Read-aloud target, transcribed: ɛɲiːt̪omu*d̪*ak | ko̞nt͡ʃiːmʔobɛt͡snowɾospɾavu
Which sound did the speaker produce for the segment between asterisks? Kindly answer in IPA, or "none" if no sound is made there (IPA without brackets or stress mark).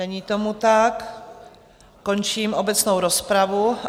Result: t̪